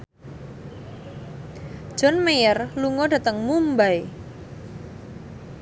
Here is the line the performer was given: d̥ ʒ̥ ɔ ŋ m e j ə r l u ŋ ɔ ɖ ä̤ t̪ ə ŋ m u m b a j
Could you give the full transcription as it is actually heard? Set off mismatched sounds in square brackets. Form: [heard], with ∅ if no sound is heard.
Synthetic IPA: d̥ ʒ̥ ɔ [n] m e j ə r l u ŋ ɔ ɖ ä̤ t̪ ə ŋ m u m b a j